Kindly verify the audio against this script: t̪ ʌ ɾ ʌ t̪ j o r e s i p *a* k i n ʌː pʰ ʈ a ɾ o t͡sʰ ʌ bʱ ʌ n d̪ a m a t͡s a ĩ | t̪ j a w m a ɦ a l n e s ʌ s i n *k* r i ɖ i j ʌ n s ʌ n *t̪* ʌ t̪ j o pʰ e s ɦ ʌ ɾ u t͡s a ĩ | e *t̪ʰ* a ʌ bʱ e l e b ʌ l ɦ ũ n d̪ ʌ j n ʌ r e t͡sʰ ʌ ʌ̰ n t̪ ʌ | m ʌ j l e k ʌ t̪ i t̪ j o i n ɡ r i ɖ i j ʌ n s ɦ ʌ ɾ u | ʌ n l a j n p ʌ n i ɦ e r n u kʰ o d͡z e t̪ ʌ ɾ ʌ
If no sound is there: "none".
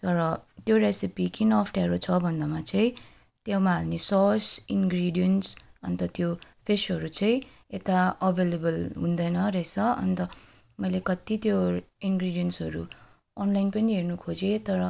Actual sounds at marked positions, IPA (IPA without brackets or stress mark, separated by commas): i, ɡ, t̪, t̪